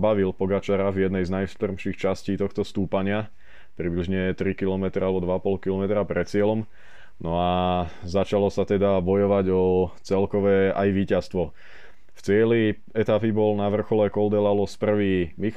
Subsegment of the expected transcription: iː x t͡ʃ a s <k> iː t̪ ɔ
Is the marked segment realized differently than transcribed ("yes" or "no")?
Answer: yes